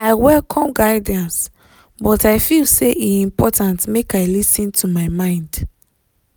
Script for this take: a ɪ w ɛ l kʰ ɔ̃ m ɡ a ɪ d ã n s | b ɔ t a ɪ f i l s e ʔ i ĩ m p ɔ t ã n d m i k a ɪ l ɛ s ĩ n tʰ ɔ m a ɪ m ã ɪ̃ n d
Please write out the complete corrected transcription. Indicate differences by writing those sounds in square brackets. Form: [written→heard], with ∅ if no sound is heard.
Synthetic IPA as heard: a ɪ w ɛ l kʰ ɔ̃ m ɡ a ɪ d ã n s | b ɔ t a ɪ f i l s e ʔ i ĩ m p ɔ t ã n [d→t] m [i→e] k a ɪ l [ɛ→i] s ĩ n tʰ [ɔ→u] m a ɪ m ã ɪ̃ n d